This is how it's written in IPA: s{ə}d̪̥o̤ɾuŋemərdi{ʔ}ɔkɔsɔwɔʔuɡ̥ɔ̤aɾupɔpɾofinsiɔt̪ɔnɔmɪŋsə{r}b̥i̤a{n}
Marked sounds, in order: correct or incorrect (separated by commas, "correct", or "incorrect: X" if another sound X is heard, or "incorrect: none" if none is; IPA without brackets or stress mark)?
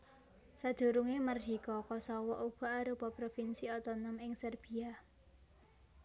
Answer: incorrect: a, incorrect: k, correct, incorrect: none